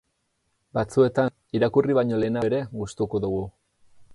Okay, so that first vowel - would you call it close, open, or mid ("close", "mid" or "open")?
open